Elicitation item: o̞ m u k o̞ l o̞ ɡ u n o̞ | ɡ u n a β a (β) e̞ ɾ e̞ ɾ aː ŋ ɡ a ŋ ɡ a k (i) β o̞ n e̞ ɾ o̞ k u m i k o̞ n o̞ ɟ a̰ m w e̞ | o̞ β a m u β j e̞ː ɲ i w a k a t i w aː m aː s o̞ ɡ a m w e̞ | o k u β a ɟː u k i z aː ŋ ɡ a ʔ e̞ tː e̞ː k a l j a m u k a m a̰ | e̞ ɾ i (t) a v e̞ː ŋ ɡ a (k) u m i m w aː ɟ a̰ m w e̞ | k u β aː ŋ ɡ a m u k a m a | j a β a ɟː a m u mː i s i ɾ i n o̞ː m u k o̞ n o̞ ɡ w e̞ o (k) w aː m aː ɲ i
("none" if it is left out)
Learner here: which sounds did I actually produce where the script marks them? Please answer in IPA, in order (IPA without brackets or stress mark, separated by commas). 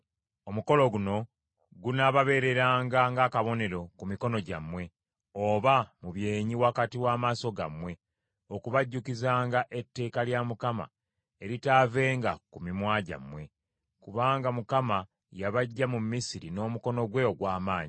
β, a, t, k, ɡ